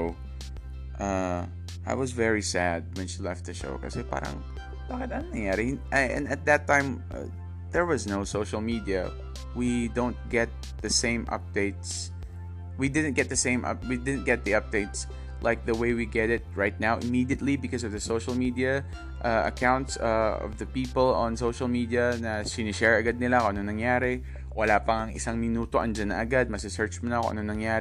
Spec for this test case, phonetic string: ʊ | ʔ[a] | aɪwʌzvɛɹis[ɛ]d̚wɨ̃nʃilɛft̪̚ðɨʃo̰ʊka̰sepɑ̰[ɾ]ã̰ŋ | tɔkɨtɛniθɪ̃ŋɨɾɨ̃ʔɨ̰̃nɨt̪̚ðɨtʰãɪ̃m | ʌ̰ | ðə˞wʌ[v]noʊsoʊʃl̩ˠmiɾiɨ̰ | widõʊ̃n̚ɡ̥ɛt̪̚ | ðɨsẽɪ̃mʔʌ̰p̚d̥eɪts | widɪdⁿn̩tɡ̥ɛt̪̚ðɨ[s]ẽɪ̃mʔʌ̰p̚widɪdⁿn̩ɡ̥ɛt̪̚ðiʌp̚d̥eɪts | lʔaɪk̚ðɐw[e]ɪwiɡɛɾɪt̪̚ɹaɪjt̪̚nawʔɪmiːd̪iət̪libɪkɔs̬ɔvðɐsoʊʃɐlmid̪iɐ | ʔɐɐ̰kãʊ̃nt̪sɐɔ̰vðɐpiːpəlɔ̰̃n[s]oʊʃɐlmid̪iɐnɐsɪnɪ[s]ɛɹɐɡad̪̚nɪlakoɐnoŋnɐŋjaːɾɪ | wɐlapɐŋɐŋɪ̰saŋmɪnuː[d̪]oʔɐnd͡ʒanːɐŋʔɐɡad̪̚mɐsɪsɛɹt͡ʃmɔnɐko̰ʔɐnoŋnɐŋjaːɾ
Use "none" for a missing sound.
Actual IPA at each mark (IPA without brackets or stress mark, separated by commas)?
ʌ, æ, ɾ, z, s, e, s, ʃ, t̪